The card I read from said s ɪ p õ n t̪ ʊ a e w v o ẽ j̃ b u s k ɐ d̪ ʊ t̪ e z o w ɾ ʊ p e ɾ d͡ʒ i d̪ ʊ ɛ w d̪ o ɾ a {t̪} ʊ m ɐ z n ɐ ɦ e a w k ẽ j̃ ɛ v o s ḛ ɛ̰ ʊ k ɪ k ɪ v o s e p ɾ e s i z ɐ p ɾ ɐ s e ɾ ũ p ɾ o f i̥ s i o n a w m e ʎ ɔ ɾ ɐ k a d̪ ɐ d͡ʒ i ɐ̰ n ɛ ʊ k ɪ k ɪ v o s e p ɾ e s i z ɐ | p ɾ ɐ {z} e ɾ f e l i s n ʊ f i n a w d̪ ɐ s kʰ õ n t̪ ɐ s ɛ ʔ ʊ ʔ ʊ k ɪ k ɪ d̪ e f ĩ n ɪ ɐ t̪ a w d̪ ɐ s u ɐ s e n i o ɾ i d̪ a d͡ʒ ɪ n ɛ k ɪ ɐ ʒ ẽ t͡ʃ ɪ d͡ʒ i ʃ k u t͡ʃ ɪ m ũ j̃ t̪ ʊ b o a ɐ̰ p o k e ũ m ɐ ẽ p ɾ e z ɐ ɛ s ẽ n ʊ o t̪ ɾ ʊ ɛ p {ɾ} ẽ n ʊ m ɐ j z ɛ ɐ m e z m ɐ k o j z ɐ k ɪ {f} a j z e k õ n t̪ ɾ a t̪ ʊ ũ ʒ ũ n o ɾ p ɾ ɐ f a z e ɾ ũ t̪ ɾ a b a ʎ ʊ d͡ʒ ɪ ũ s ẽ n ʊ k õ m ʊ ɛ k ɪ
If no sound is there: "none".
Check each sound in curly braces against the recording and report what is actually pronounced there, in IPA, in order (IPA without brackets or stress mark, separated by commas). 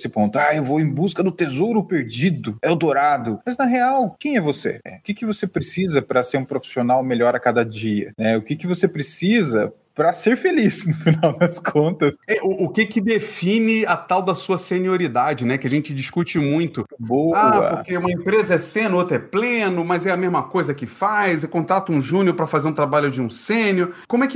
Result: d̪, s, l, f